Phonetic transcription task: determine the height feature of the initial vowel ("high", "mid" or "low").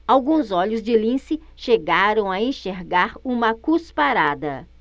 low